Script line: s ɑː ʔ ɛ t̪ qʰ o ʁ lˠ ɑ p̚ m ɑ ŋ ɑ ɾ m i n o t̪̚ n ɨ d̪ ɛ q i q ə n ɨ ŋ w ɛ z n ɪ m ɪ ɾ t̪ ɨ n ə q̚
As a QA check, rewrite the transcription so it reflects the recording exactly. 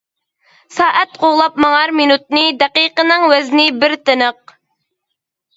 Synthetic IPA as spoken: s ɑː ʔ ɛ t̪ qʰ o ʁ lˠ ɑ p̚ m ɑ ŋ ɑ ɾ m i n u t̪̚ n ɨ d̪ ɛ q i q ə n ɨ ŋ w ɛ z n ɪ b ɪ ɾ t̪ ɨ n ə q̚